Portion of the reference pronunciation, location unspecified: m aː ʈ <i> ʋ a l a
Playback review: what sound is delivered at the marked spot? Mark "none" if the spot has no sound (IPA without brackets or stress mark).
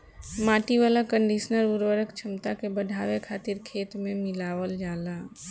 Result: i